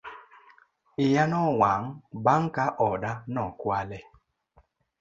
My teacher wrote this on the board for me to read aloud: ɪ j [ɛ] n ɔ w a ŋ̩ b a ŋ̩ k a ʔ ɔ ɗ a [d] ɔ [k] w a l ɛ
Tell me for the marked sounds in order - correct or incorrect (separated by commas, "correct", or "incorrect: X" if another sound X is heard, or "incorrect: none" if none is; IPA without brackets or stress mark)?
incorrect: a, incorrect: n, correct